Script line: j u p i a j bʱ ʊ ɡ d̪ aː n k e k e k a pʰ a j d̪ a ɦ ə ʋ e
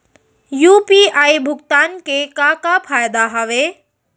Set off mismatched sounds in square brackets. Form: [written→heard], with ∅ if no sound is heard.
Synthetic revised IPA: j u p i a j bʱ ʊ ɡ [d̪→t̪] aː n k e k [e→a] k a pʰ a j d̪ a ɦ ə ʋ e